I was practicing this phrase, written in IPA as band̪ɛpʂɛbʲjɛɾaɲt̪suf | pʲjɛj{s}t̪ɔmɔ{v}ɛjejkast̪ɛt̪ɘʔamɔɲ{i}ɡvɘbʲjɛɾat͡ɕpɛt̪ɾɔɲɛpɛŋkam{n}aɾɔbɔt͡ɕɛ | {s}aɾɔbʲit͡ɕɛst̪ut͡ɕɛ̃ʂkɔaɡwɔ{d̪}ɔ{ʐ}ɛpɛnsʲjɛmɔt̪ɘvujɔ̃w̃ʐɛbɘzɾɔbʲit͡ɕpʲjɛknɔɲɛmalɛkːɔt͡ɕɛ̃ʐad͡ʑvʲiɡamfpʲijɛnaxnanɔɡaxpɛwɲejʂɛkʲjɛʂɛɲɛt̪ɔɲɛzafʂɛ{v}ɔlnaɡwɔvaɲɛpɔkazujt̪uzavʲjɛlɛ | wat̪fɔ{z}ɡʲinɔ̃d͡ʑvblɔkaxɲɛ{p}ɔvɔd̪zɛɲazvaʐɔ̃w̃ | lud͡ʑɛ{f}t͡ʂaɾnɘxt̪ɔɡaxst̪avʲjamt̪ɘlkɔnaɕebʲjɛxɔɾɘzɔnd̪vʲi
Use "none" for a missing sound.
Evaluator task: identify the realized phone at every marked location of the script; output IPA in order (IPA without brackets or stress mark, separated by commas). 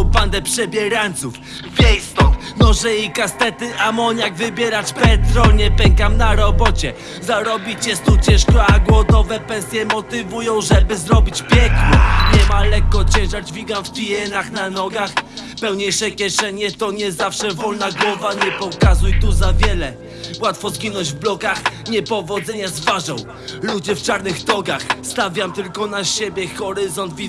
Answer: s, ʐ, a, n, z, d̪, v, v, z, p, f